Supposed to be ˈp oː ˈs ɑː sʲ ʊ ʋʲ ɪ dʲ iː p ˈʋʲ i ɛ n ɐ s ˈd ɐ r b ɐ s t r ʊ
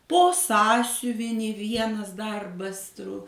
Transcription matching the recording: ˈp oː ˈs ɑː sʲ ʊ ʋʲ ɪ nʲ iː ˈʋʲ i ɛ n ɐ s ˈd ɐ r b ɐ s t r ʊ